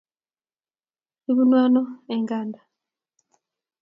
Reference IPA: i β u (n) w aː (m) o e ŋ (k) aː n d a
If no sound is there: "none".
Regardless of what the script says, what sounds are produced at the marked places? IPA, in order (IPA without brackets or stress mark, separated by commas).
n, n, ɡ